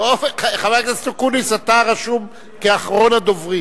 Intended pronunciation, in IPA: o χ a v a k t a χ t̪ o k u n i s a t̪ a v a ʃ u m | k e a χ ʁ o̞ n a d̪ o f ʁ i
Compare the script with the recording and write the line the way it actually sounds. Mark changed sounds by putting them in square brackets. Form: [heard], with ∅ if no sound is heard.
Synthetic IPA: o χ a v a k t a [s] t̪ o k u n i s a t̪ a [ʁ] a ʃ u m | k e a χ ʁ o̞ n a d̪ o [v] ʁ i